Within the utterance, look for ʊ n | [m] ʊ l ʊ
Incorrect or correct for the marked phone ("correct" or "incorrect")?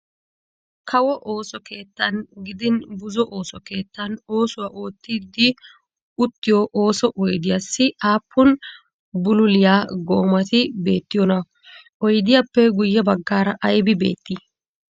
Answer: incorrect